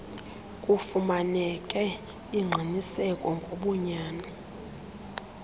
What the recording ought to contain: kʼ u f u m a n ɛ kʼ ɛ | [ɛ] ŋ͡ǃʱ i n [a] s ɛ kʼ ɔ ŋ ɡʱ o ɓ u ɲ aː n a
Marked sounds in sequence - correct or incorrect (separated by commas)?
incorrect, incorrect